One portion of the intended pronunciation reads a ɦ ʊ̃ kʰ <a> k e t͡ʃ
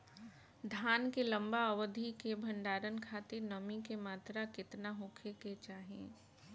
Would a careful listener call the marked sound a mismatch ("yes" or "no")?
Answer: yes